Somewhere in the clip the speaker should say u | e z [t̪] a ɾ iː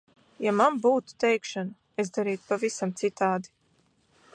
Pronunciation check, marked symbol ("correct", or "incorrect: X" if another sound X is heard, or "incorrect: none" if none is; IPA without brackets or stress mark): incorrect: d̪